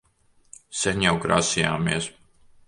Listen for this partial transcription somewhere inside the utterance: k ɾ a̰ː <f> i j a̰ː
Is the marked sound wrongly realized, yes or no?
yes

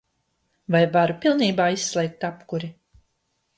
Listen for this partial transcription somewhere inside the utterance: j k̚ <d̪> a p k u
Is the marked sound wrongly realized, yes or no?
yes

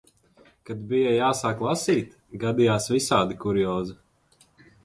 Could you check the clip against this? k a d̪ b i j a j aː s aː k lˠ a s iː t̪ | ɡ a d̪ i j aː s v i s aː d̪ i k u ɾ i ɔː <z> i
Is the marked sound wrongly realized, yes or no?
no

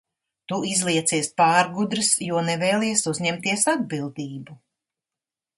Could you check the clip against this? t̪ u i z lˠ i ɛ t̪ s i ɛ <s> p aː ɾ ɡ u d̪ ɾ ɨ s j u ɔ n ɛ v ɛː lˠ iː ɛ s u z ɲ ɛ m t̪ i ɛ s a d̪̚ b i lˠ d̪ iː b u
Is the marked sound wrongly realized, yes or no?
no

